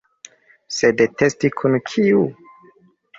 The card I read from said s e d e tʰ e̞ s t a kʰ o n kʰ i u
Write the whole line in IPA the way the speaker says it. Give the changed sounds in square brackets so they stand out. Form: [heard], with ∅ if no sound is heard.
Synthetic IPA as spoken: s e d e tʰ e̞ s t [i] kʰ [u] n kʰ i u